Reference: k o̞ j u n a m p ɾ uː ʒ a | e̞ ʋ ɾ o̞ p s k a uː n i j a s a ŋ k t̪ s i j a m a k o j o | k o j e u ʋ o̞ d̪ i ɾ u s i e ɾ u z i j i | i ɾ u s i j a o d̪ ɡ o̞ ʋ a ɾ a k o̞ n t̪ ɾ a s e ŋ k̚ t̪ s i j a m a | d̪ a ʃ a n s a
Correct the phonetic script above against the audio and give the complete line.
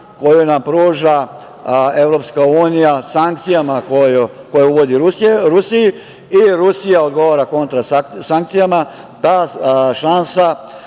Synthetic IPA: k o̞ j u n a m p ɾ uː ʒ a | e̞ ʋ ɾ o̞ p s k a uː n i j a s a ŋ k t̪ s i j a m a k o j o | k o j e u ʋ o̞ d̪ i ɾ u s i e ɾ u s i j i | i ɾ u s i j a o d̪ ɡ o̞ ʋ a ɾ a k o̞ n t̪ ɾ a s a ŋ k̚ t̪ s i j a m a | d̪ a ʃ a n s a